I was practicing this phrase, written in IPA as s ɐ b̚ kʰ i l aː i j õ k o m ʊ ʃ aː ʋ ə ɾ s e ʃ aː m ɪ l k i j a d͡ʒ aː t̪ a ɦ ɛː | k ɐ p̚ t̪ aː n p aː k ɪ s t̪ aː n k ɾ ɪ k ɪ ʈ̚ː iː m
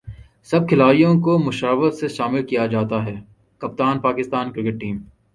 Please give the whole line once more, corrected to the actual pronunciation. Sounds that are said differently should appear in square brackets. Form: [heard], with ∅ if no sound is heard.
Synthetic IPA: s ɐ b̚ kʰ [ɪ] l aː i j õ k o m ʊ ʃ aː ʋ ə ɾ s e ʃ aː m ɪ l k i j a d͡ʒ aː t̪ a ɦ ɛː | k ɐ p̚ t̪ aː n p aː k ɪ s t̪ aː n k ɾ ɪ k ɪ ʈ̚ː iː m